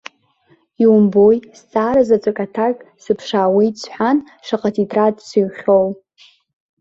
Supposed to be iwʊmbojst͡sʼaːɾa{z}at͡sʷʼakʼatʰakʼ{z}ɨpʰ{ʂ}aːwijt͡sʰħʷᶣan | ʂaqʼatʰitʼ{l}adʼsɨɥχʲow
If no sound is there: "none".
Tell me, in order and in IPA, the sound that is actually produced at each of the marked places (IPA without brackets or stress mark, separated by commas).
z, s, ʂ, r